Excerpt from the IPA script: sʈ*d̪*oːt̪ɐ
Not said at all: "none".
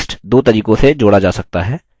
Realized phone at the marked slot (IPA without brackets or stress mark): d̪